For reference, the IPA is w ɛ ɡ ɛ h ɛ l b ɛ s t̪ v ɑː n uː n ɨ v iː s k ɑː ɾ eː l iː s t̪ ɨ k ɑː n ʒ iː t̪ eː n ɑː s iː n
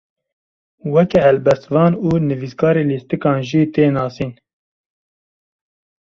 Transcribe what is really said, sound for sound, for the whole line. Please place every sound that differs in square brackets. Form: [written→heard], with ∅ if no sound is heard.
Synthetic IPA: w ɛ [ɡ→k] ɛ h ɛ l b ɛ s t̪ v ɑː n uː n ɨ v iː s k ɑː ɾ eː l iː s t̪ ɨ k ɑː n ʒ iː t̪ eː n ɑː s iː n